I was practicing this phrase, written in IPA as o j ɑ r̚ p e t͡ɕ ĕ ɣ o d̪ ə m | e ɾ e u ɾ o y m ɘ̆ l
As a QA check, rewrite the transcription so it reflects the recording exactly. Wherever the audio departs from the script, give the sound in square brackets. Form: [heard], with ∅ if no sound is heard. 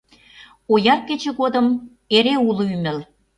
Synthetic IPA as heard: o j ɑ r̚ [k] e t͡ɕ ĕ ɣ o d̪ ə m | e ɾ e u [l] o y m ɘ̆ l